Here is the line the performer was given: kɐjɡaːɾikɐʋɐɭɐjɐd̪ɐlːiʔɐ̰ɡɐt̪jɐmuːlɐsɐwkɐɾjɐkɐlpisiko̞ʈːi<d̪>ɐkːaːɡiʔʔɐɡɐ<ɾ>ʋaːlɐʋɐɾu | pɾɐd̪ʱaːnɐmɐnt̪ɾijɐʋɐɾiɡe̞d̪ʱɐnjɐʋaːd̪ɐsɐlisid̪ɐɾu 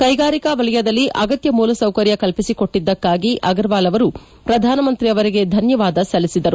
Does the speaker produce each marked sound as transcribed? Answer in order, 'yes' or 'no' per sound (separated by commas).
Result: no, yes